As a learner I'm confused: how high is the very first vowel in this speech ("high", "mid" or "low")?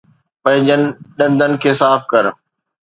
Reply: low